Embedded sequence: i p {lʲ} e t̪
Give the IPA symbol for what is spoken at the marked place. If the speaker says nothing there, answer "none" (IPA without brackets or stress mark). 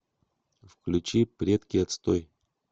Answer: ɾʲ